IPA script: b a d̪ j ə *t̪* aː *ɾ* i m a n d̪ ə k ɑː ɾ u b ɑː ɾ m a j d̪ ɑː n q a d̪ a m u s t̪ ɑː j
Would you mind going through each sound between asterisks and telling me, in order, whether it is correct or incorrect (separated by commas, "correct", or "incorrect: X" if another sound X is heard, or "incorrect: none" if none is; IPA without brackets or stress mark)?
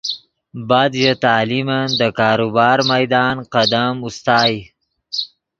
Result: correct, incorrect: l